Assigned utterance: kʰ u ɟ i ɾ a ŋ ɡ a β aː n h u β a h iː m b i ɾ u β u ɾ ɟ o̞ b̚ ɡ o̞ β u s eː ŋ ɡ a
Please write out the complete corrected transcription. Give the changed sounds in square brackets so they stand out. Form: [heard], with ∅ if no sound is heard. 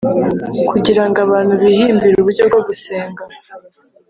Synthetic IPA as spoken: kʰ u ɟ i ɾ a ŋ ɡ a β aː n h u β [i] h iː m b i ɾ u β u ɾ ɟ o̞ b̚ ɡ o̞ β u s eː ŋ ɡ a